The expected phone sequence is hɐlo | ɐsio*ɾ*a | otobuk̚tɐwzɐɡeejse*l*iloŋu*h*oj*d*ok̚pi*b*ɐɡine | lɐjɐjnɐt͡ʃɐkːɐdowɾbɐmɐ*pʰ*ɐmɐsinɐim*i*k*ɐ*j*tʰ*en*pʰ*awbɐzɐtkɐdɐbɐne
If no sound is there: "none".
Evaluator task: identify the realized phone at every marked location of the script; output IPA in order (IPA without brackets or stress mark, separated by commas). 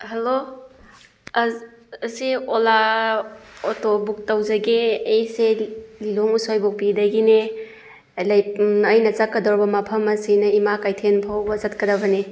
l, l, s, b, d, pʰ, a, a, tʰ, pʰ